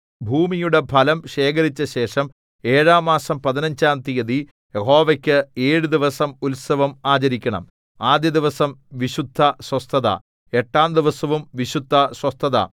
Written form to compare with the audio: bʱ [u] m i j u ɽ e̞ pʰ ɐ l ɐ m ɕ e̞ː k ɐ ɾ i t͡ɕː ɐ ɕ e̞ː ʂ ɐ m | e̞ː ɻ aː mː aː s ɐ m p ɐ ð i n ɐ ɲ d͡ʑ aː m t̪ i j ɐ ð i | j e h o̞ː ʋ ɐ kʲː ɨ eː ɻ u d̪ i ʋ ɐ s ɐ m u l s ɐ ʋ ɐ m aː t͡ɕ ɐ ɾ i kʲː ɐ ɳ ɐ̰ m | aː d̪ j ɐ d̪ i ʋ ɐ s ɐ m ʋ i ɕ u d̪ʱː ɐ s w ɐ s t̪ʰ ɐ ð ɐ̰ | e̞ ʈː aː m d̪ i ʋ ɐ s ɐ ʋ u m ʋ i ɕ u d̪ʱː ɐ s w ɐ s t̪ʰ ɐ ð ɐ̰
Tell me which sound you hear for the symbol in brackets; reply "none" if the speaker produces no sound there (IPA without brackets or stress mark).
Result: uː